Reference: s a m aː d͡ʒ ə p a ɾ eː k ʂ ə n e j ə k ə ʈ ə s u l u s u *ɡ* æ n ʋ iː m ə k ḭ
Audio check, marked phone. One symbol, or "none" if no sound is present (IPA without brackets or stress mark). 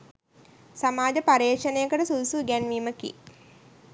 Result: ɡ